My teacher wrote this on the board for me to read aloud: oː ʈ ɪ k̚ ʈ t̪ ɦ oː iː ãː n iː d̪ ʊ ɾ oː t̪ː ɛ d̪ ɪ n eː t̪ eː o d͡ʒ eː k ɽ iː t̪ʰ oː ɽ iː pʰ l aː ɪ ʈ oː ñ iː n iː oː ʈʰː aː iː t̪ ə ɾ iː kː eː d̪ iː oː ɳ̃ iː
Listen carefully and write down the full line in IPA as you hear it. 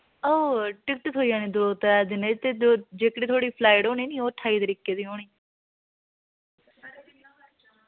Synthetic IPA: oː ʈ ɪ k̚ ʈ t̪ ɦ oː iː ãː n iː d̪ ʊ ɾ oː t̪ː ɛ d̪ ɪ n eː t̪ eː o d͡ʒ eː k ɽ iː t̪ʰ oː ɽ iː pʰ l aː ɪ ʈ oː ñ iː n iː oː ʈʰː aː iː t̪ ə ɾ iː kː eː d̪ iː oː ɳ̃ iː